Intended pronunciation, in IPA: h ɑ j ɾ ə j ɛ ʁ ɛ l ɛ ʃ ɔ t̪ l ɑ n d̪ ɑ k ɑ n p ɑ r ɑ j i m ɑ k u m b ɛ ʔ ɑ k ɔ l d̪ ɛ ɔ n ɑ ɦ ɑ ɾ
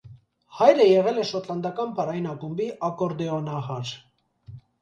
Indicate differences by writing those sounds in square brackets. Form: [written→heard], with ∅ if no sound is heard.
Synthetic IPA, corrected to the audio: h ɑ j ɾ ə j ɛ ʁ ɛ l ɛ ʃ ɔ t̪ l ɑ n d̪ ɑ k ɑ n p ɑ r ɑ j i [m→n] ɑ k u m b [ɛ→i] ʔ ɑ k ɔ [l→ɾ] d̪ ɛ ɔ n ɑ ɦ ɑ ɾ

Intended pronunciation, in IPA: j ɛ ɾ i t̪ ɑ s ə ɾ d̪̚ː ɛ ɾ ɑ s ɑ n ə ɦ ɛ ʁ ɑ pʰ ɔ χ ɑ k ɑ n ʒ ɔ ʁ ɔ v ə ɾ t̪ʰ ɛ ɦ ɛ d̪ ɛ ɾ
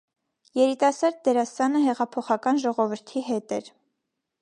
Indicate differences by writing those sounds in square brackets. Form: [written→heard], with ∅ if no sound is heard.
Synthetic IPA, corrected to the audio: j ɛ ɾ i t̪ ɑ s [ə→ɑ] ɾ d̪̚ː ɛ ɾ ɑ s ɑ n ə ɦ ɛ ʁ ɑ pʰ ɔ χ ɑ k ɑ n ʒ ɔ ʁ ɔ v ə ɾ t̪ʰ [ɛ→i] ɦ ɛ [d̪→t̪] ɛ ɾ

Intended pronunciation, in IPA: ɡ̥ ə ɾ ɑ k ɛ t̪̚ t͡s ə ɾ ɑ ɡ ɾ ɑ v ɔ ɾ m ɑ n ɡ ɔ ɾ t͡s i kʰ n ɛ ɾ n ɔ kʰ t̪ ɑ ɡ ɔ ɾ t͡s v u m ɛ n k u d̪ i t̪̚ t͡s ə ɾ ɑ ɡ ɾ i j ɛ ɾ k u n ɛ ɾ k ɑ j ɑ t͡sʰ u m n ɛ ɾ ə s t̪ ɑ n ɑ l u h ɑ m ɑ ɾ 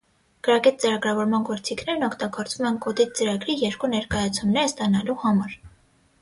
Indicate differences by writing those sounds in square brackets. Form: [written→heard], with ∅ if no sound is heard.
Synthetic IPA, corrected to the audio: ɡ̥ ə ɾ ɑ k ɛ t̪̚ t͡s ə ɾ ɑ ɡ ɾ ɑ v ɔ ɾ m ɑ n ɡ ɔ ɾ t͡s i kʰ n ɛ ɾ n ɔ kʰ t̪ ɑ ɡ ɔ ɾ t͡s v u m ɛ n k [u→ɔ] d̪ i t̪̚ t͡s ə ɾ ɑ ɡ ɾ i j ɛ ɾ k u n ɛ ɾ k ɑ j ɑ t͡sʰ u m n ɛ ɾ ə s t̪ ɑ n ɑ l u h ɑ m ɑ ɾ

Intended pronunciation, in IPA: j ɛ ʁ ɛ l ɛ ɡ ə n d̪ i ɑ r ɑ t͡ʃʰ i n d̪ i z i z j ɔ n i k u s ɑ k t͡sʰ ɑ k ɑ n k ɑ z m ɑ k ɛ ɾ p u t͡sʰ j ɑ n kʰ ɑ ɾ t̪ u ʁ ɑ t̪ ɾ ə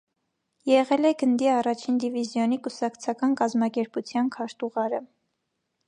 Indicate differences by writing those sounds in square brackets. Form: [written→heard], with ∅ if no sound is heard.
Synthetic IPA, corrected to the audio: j ɛ ʁ ɛ l ɛ ɡ ə n d̪ i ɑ r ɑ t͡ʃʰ i n d̪ i [z→v] i z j ɔ n i k u s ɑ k t͡sʰ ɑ k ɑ n k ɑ z m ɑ k ɛ ɾ p u t͡sʰ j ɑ n kʰ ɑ ɾ t̪ u ʁ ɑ [t̪→∅] ɾ ə

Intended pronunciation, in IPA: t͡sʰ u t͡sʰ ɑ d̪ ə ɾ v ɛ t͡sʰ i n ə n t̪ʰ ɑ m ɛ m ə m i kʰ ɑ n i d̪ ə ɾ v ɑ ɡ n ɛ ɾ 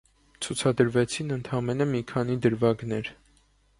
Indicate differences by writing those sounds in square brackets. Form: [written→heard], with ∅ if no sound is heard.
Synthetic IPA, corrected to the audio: t͡sʰ u t͡sʰ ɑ d̪ ə ɾ v ɛ t͡sʰ i n ə n t̪ʰ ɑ m ɛ [m→n] ə m i kʰ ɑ n i d̪ ə ɾ v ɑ ɡ n ɛ ɾ

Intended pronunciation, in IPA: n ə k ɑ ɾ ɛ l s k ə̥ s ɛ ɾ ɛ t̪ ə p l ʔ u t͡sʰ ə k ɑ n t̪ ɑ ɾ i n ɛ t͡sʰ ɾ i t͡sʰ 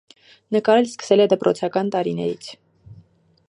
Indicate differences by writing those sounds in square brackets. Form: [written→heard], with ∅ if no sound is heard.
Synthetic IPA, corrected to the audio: n ə k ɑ ɾ ɛ l s k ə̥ s ɛ [ɾ→l] ɛ [t̪→d̪] ə p [l→ɾ] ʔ [u→ɔ] t͡sʰ [ə→ɑ] k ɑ n t̪ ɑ ɾ i n ɛ [t͡sʰ→∅] ɾ i t͡sʰ

